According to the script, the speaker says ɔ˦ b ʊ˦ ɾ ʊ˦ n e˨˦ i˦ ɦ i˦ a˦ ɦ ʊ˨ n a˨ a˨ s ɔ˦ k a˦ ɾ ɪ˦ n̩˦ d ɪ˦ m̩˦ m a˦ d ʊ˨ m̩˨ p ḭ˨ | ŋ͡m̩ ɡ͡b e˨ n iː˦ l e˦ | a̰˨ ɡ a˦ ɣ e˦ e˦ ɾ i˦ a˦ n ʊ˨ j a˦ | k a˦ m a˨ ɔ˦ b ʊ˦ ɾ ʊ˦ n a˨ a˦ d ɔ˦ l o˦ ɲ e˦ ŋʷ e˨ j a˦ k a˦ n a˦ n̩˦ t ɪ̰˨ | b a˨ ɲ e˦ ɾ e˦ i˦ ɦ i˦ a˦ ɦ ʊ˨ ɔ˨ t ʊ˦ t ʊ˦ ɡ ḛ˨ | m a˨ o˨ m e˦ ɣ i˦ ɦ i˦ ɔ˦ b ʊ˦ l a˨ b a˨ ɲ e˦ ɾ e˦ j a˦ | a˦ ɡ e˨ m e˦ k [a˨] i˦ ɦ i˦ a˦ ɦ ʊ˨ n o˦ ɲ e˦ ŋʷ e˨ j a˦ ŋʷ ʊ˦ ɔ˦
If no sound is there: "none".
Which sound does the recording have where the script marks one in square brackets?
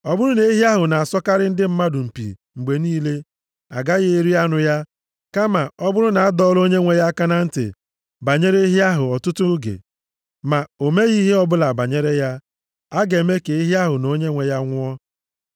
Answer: e˨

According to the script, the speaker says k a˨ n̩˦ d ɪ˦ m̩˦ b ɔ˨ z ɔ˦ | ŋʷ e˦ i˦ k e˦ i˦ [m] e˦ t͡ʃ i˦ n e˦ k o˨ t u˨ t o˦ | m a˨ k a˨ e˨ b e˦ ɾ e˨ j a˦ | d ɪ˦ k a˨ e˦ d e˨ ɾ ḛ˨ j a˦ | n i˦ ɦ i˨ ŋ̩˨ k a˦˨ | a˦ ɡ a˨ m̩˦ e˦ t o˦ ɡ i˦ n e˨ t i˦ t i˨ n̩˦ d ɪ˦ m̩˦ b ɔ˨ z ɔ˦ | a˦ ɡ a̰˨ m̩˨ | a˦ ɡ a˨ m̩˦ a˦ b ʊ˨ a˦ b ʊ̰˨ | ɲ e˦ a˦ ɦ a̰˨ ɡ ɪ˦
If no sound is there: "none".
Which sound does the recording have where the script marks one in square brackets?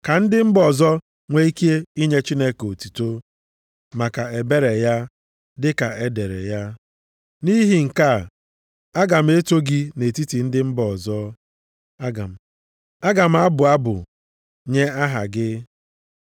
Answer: ɲ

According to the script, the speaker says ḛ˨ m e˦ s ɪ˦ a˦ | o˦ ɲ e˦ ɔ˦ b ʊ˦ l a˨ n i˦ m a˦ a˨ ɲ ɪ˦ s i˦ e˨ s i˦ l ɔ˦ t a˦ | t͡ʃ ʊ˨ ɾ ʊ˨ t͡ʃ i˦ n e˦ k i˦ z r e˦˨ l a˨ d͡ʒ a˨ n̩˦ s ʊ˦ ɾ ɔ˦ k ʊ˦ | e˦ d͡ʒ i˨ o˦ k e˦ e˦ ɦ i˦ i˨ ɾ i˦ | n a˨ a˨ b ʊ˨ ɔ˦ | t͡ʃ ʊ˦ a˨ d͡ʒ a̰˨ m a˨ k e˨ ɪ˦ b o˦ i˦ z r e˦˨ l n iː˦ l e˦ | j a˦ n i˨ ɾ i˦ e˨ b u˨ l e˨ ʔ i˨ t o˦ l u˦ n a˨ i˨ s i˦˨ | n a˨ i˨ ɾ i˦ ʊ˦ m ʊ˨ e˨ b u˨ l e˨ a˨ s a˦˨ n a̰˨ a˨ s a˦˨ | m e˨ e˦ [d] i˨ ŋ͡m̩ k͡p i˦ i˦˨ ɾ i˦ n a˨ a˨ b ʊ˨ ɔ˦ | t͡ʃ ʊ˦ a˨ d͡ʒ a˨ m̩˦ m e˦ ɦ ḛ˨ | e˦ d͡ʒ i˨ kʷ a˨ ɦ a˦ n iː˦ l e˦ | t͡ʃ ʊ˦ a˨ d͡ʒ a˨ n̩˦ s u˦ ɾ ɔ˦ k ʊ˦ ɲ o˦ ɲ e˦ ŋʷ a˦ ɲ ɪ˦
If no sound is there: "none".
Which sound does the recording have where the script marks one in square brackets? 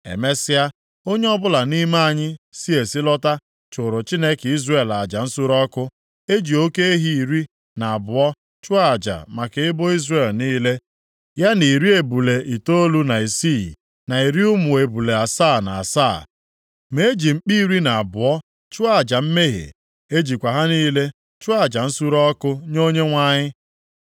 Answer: d͡ʒ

